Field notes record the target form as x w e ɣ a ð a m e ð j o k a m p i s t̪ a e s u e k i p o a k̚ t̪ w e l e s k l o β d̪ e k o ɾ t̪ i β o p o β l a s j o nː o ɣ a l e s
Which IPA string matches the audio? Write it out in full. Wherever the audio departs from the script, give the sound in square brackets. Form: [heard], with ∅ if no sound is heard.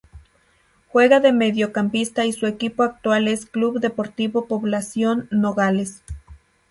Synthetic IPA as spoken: x w e ɣ a ð [e] m e ð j o k a m p i s t̪ a [i] s u e k i p o a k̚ t̪ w [a] l e s k l [u] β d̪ e [p] o ɾ t̪ i β o p o β l a s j o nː o ɣ a l e s